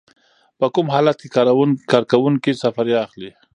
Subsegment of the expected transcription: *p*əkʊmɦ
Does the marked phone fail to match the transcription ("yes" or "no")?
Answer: no